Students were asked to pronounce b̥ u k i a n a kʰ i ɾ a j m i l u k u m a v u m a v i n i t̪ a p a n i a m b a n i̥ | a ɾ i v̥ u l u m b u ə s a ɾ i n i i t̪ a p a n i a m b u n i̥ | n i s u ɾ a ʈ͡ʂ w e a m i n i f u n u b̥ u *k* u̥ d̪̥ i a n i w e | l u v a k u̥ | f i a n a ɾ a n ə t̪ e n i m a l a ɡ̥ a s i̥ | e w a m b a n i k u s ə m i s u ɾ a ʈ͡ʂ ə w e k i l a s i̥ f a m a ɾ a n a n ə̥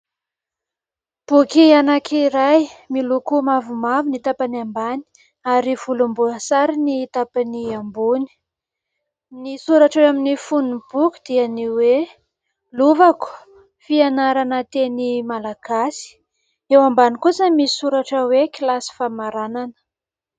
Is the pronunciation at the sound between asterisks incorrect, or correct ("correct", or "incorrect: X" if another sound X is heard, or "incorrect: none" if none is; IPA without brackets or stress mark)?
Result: correct